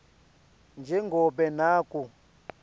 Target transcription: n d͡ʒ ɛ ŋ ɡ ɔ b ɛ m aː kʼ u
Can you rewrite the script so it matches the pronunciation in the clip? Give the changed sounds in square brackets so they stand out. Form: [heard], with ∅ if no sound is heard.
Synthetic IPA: n d͡ʒ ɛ ŋ ɡ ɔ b ɛ [n] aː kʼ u